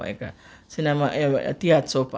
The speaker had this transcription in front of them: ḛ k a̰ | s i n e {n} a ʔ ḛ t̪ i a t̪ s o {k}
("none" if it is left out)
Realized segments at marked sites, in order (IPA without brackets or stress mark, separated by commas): m, p